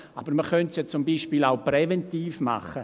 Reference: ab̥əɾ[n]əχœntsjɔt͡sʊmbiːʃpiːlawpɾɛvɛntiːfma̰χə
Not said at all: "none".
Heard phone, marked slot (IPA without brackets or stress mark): m